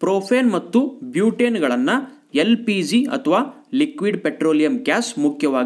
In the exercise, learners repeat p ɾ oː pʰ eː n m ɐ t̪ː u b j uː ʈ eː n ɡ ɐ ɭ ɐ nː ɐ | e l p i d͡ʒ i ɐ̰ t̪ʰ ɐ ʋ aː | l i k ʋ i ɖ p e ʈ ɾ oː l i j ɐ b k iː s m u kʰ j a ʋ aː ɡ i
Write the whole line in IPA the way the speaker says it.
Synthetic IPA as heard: p ɾ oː pʰ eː n m ɐ t̪ː u b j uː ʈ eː n ɡ ɐ ɭ ɐ nː ɐ | e l p i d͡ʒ i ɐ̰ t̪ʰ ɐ ʋ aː | l i k ʋ i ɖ p e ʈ ɾ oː l i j ɐ m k aː s m u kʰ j ɐ ʋ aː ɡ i